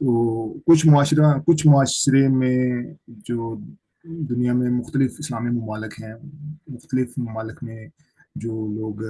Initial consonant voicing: voiceless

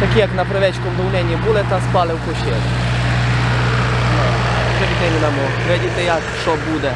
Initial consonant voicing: voiceless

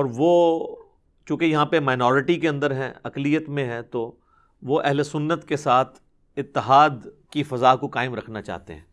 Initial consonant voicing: voiced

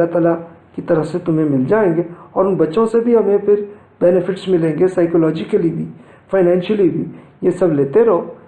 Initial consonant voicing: voiceless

